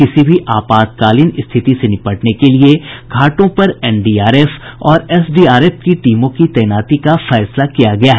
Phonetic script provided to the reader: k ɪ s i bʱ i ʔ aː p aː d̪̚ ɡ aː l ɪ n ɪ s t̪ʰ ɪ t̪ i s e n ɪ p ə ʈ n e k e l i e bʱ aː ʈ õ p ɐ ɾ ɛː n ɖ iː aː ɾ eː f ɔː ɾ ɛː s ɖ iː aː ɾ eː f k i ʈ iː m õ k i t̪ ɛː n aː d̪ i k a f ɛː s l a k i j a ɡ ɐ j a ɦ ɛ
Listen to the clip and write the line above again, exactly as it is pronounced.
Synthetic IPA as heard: k ɪ s i bʱ i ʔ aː p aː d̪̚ k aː l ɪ n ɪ s t̪ʰ ɪ t̪ i s e n ɪ p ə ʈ n e k e l i e ɡʱ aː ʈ õ p ɐ ɾ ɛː n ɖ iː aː ɾ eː f ɔː ɾ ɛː s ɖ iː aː ɾ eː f k i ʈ iː m õ k i t̪ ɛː n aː t̪ i k a f ɛː s l a k i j a ɡ ɐ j a ɦ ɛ